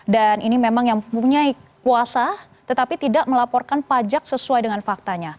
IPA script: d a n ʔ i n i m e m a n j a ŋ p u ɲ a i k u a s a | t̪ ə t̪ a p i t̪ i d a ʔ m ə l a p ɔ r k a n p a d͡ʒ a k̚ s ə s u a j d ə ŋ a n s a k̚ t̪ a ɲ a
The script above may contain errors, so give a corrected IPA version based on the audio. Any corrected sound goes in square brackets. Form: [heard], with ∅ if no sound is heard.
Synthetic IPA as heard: d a n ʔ i n i m e m a [ŋ] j a ŋ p u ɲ a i k u a s a | t̪ ə t̪ a p i t̪ i d a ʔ m ə l a p ɔ r k a n p a d͡ʒ a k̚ s ə s u a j d ə ŋ a n [f] a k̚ t̪ a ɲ a